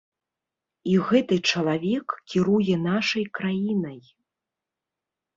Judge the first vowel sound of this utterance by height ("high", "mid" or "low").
high